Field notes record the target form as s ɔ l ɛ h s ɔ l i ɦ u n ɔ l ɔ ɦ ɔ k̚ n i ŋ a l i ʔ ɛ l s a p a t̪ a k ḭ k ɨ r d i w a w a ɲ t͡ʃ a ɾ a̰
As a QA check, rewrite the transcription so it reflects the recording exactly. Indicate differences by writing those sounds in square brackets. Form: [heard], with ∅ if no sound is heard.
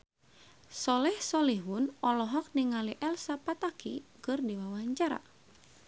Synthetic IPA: s ɔ l ɛ h s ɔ l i ɦ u n ɔ l ɔ ɦ ɔ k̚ n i ŋ a l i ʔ ɛ l s a p a t̪ a k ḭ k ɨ r d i w a w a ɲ t͡ʃ a ɾ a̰